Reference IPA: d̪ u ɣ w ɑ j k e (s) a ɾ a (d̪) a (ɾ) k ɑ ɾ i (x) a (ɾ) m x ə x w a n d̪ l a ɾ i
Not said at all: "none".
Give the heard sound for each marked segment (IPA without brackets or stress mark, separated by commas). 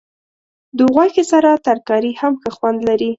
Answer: s, t̪, ɾ, h, none